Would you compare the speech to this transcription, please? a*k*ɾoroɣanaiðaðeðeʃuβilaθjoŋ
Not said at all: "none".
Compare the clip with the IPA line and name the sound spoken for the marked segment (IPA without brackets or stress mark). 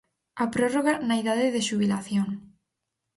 p